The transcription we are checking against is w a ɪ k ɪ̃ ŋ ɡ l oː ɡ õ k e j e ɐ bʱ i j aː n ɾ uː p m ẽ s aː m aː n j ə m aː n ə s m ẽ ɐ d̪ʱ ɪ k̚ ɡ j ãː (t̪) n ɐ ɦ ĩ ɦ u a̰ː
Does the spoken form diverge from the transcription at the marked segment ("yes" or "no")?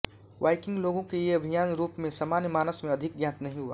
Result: no